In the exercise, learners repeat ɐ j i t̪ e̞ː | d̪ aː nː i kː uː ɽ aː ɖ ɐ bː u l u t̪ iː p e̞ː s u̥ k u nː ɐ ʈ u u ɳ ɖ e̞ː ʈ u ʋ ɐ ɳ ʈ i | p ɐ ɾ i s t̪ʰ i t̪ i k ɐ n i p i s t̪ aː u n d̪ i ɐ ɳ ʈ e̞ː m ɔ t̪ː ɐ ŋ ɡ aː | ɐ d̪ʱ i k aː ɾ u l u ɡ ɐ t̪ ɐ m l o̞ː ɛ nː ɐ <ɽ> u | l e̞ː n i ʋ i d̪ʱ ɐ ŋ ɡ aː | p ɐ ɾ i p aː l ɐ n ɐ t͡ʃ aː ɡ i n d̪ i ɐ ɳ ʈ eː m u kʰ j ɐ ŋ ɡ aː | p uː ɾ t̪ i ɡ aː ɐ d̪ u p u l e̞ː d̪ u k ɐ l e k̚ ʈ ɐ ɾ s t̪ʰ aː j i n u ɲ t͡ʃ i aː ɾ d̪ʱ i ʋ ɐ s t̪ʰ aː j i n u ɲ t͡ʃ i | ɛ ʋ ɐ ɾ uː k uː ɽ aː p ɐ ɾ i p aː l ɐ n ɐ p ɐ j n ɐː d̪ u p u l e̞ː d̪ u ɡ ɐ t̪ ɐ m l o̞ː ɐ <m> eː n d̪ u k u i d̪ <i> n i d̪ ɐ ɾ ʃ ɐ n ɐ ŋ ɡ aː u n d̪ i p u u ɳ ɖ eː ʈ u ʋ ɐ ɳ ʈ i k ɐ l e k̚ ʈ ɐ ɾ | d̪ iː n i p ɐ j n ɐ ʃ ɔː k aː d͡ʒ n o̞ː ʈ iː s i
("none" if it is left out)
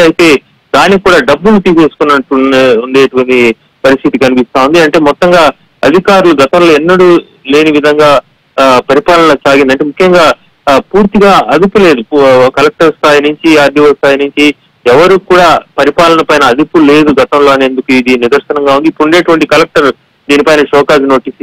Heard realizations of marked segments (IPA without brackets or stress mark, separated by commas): ɽ, n, i